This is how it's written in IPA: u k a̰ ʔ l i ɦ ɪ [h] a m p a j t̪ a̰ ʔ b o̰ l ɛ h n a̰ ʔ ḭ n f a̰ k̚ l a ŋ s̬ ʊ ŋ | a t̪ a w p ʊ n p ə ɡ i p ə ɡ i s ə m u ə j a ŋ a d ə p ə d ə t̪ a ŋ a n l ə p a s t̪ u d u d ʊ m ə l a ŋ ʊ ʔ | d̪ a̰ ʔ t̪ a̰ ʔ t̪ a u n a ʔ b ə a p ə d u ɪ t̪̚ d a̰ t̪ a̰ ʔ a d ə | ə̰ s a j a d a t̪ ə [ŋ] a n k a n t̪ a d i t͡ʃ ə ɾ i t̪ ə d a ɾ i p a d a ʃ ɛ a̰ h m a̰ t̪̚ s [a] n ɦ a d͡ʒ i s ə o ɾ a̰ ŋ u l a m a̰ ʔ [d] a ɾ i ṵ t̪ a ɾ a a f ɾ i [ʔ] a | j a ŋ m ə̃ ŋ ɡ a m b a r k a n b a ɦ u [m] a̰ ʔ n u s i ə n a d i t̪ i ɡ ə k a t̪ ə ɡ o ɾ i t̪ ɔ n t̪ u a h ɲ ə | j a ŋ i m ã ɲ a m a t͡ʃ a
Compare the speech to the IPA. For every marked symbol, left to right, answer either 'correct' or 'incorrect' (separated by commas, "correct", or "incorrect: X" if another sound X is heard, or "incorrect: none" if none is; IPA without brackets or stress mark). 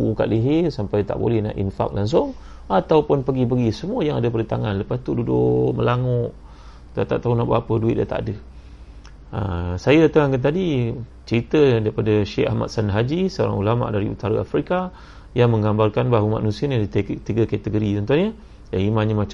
incorrect: s, correct, correct, correct, incorrect: k, correct